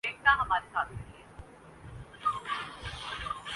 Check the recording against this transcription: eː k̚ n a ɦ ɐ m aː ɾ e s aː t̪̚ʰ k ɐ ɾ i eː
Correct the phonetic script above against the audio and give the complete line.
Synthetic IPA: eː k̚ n a ɦ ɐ m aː ɾ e s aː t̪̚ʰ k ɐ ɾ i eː

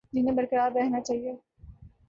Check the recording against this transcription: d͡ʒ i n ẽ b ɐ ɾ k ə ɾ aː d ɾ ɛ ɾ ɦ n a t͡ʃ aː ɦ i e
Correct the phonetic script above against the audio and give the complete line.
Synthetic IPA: d͡ʒ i n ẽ b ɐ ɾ k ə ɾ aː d ɾ ɛ ɦ n a t͡ʃ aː ɦ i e

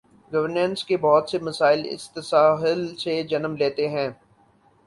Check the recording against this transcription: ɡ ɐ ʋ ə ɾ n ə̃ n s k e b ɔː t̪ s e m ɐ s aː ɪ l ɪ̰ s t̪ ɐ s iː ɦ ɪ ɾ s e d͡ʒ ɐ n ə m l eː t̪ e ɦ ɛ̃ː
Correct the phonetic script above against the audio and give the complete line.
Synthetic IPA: ɡ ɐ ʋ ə ɾ n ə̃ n s k e b ɔː t̪ s e m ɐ s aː ɪ l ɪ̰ s t̪ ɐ s aː ɦ ɪ l s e d͡ʒ ɐ n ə m l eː t̪ e ɦ ɛ̃ː

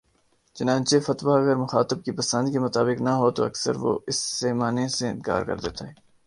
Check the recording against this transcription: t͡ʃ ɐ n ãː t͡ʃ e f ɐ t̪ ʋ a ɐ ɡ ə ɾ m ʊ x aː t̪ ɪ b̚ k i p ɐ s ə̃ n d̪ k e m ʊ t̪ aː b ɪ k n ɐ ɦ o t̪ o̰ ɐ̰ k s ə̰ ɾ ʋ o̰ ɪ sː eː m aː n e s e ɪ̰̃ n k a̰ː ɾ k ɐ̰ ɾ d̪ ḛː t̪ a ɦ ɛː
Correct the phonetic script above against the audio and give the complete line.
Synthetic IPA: t͡ʃ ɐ n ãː t͡ʃ e f ɐ t̪ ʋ a ɐ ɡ ə ɾ m ʊ x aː t̪ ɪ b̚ k i p ɐ s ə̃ n d̪ k e m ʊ t̪ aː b ɪ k n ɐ ɦ o t̪ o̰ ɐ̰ k s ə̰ ɾ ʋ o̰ ɪ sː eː m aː n e s e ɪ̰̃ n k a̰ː ɾ k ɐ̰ ɾ d̪ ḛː t̪ a ɦ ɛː

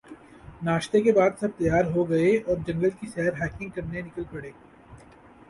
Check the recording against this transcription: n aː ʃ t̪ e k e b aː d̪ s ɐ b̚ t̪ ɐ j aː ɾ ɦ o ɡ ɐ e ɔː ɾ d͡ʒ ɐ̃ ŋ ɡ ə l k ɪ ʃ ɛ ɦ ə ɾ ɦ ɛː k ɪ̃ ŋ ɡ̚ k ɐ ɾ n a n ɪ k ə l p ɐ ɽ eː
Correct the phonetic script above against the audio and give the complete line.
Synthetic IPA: n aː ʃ t̪ e k e b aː d̪ s ɐ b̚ t̪ ɐ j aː ɾ ɦ o ɡ ɐ e ɔː ɾ d͡ʒ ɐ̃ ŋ ɡ ə l k i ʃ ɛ ɦ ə ɾ ɦ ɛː k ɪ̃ ŋ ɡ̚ k ɐ ɾ n e n ɪ k ə l p ɐ ɽ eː

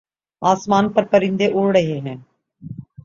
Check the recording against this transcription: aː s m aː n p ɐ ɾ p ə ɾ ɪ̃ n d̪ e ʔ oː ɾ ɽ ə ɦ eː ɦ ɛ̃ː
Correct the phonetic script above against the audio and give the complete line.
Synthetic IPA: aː s m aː n p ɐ ɾ p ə ɾ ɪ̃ n d̪ e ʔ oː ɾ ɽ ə ɦ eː ɦ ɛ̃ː

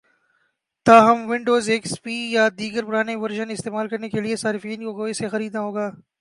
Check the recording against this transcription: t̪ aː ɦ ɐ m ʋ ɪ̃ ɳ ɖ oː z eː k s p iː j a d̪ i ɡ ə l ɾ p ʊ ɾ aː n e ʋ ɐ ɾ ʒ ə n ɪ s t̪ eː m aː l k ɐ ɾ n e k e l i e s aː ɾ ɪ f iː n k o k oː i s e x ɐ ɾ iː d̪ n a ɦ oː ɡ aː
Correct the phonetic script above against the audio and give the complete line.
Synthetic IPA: t̪ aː ɦ ɐ m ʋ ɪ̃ ɳ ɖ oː z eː k s p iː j a d̪ iː ɡ ə ɾ p ʊ ɾ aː n e ʋ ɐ ɾ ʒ ə n ɪ s t̪ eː m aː l k ɐ ɾ n e k e l i e s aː ɾ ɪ f iː n k o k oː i s e x ɐ ɾ iː d̪ n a ɦ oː ɡ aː

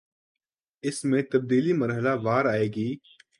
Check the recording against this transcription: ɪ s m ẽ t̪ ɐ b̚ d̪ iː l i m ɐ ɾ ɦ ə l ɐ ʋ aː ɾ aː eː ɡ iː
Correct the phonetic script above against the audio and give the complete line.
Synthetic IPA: ɪ s m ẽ t̪ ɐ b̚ d̪ iː l i m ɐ ɾ ɦ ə l a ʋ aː ɾ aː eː ɡ iː

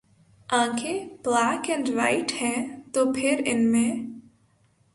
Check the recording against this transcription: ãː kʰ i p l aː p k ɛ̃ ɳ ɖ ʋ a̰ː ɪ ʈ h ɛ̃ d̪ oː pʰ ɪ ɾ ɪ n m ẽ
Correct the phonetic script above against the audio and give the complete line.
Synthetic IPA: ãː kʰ e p l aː k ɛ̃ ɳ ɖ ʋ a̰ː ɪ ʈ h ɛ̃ t̪ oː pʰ ɪ ɾ ɪ n m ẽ

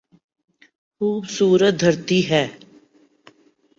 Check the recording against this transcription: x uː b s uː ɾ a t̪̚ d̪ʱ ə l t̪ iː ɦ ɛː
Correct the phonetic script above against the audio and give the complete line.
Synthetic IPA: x uː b s uː ɾ ə t̪̚ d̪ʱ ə ɾ t̪ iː ɦ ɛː

